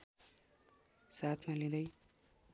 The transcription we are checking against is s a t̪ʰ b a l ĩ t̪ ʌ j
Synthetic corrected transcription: s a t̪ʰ m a l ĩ d̪ ʌ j